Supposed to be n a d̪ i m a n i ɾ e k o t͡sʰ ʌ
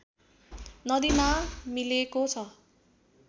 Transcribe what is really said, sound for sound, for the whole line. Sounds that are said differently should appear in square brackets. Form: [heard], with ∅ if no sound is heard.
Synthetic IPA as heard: n [ʌ] d̪ i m a [m] i [l] e k o t͡sʰ ʌ